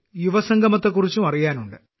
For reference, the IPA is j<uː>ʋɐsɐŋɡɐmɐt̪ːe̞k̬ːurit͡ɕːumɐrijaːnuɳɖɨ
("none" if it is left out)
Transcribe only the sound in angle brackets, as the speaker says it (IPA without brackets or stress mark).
u